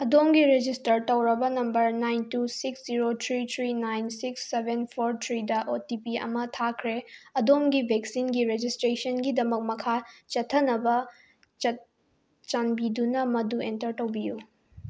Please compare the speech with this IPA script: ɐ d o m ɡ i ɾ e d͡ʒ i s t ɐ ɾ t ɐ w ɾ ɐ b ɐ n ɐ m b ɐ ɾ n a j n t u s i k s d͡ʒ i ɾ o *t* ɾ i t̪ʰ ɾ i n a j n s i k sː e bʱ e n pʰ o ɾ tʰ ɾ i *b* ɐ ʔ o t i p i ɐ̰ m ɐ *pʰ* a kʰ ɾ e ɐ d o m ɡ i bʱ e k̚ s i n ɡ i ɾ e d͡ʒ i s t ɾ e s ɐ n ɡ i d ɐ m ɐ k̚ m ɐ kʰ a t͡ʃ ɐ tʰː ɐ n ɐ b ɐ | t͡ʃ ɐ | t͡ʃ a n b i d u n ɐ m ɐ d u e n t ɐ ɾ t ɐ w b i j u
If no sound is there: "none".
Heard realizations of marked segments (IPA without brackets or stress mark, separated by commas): tʰ, d, tʰ